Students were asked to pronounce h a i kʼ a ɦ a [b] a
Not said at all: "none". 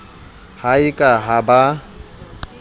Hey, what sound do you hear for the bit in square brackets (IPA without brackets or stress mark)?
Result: b